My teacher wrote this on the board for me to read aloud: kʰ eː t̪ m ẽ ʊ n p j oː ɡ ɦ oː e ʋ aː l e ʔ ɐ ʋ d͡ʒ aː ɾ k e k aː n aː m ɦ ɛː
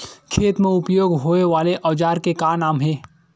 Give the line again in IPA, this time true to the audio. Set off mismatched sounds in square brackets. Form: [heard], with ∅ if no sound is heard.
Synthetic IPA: kʰ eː t̪ m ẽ ʊ [∅] p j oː ɡ ɦ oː e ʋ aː l e ʔ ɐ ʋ d͡ʒ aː ɾ k e k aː n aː m ɦ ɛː